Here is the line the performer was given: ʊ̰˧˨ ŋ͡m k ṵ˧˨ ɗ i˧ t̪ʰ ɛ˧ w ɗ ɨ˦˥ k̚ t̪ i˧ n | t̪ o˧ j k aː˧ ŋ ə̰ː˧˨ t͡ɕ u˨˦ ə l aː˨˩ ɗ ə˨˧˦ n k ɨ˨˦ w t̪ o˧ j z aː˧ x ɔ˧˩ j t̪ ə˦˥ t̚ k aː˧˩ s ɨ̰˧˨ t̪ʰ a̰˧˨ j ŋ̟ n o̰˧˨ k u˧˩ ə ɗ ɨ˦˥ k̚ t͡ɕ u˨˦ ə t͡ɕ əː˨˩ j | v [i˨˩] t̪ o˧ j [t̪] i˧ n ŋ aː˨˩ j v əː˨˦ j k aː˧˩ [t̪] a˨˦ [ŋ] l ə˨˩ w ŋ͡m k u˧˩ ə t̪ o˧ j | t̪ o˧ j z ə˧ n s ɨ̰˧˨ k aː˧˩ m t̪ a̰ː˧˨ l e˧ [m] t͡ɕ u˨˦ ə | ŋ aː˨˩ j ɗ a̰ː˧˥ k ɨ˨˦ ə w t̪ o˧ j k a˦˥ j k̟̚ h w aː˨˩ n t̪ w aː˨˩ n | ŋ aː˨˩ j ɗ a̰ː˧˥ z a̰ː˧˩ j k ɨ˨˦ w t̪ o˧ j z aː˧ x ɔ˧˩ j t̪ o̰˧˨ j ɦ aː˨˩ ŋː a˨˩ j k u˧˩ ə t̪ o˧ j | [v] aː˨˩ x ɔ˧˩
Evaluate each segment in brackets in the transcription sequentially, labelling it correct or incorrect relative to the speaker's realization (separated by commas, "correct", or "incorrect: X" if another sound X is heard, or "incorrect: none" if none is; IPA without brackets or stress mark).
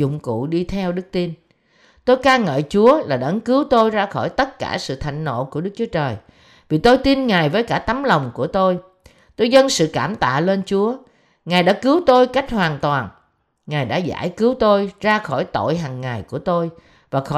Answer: correct, correct, correct, incorrect: m, incorrect: n, correct